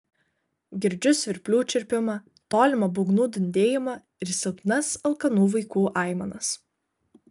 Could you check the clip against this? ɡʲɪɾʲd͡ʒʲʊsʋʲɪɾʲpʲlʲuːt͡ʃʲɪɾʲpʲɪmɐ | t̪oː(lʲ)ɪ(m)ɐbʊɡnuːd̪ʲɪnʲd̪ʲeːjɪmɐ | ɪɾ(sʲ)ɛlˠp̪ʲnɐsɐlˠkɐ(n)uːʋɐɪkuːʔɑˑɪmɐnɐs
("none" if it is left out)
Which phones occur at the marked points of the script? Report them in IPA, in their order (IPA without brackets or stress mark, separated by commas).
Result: lʲ, m, sʲ, n